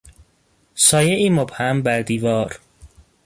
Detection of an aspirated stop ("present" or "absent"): absent